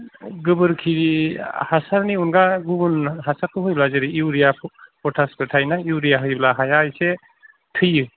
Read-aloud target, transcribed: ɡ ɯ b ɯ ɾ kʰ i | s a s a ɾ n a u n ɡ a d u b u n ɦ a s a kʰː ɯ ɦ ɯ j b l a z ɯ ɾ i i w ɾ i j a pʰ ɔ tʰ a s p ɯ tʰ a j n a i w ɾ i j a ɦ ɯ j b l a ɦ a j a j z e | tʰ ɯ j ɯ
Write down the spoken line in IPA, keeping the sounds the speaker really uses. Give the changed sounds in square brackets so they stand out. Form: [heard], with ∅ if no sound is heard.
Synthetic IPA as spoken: ɡ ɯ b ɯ ɾ kʰ i | [h] a s a ɾ n [i] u n ɡ a [ɡ] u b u n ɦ a s a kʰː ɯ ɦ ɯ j b l a z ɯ ɾ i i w ɾ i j a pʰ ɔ tʰ a s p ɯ tʰ a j n a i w ɾ i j a ɦ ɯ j b l a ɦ a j a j [s] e | tʰ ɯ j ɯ